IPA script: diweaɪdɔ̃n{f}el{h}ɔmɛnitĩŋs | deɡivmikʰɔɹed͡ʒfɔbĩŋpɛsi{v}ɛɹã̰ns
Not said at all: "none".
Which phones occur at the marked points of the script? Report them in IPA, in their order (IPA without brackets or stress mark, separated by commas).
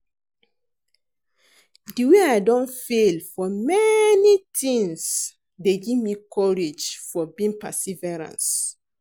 f, f, v